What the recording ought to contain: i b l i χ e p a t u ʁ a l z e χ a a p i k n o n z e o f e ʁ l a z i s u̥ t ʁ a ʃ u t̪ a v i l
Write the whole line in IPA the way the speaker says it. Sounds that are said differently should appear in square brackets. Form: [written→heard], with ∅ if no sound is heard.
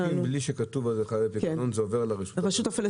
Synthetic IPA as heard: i b l i [χ→ʃ] e [p→k] a t u [ʁ→v] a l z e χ a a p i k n o n z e o [f→v] e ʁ l a [z→ʁ] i [s→ʃ] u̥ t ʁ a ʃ u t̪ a [v→f] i l